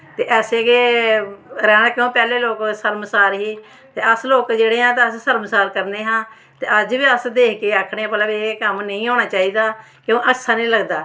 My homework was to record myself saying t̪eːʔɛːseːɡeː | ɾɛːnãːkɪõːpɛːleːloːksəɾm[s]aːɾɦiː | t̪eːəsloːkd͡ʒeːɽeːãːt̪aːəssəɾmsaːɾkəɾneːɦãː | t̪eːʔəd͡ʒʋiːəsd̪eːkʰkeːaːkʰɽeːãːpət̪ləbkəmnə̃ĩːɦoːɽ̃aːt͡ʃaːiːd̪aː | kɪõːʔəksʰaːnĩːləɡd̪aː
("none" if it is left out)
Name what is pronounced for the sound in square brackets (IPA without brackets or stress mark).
s